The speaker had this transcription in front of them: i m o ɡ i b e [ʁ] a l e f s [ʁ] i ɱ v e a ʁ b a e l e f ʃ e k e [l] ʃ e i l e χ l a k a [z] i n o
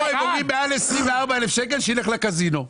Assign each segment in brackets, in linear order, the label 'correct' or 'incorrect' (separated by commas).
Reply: incorrect, correct, correct, correct